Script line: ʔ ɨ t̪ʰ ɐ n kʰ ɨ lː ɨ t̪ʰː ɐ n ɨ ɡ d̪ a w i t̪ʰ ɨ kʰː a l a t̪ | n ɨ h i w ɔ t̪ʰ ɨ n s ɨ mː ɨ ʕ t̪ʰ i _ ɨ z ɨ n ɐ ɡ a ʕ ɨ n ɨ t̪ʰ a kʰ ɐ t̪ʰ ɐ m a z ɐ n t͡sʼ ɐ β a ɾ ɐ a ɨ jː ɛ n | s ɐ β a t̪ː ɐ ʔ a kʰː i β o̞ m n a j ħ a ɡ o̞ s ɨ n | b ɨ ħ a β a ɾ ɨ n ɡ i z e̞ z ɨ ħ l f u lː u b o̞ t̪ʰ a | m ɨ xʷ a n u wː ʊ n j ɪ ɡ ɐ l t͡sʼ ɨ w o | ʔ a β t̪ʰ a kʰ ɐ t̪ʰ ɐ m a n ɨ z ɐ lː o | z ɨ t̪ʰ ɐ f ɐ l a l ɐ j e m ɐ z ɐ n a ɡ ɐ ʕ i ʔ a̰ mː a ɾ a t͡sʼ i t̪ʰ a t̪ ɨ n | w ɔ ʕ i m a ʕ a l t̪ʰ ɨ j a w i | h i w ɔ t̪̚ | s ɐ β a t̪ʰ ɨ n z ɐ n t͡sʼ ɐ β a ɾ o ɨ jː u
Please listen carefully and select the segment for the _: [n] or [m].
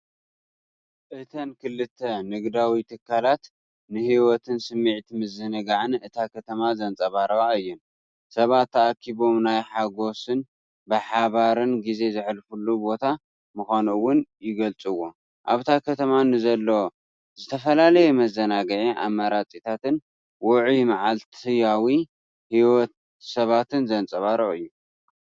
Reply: m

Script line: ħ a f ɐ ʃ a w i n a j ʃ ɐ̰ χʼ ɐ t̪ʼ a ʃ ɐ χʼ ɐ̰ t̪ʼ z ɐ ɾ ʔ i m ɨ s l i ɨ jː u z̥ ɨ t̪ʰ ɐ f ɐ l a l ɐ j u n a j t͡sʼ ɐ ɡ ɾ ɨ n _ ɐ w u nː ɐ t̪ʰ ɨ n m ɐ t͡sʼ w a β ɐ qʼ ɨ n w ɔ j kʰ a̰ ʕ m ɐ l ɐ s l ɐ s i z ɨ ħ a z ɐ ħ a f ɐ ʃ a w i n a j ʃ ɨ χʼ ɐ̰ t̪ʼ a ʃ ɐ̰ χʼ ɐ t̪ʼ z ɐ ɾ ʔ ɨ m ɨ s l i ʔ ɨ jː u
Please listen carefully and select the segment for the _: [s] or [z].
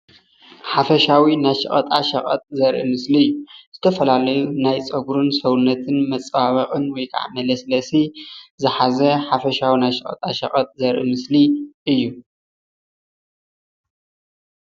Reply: s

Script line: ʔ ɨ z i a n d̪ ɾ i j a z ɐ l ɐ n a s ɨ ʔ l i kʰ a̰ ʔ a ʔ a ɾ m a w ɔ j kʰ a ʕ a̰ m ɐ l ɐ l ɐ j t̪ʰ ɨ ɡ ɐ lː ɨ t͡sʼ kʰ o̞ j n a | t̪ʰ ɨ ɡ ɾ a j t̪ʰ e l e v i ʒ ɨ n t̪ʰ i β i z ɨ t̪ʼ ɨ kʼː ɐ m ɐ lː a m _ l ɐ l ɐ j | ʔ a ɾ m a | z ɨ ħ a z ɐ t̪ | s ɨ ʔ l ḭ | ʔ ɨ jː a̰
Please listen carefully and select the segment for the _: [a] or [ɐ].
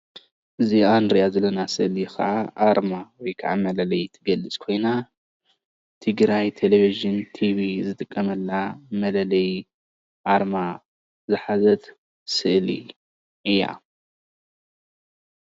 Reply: ɐ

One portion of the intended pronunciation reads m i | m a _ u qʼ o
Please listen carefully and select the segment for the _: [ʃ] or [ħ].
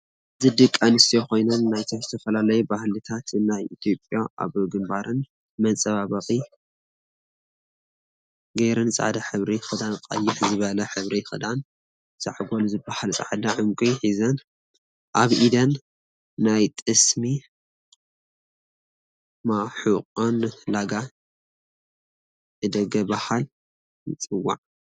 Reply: ħ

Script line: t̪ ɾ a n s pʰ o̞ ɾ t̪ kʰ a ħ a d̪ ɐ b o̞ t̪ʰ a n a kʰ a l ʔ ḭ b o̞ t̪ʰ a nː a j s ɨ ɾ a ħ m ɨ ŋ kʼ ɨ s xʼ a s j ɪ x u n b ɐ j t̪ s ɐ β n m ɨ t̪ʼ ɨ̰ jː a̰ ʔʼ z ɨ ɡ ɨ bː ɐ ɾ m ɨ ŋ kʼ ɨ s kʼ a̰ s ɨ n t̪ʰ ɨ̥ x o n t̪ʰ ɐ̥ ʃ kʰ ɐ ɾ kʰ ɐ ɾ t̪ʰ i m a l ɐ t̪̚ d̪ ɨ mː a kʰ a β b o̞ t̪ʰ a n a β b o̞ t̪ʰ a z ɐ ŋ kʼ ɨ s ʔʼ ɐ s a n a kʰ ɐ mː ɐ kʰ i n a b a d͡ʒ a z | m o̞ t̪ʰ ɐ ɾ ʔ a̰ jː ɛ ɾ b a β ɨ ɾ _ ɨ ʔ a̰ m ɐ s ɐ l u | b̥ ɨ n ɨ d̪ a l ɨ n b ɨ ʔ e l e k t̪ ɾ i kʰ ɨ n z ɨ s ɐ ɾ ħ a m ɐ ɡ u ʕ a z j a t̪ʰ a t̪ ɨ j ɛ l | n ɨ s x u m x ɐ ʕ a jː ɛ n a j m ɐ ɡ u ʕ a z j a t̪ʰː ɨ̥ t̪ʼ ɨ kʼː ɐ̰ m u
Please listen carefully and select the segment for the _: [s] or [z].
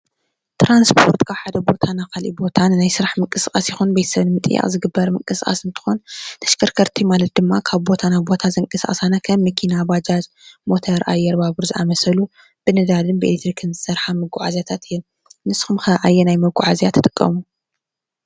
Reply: z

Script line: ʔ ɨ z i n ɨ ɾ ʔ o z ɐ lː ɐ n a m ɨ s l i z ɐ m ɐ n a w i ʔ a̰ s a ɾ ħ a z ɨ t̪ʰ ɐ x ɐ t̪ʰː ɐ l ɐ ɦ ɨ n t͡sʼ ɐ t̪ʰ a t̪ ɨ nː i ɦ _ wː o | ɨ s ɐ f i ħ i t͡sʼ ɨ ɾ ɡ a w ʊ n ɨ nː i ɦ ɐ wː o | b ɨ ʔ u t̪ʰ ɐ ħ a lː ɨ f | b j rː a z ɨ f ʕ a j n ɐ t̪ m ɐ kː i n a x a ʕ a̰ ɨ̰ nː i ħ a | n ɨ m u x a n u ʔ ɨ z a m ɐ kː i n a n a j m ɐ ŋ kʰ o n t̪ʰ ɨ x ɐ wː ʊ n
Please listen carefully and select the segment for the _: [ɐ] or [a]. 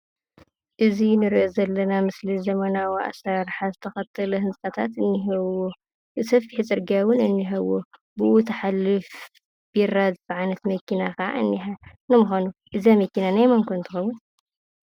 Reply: ɐ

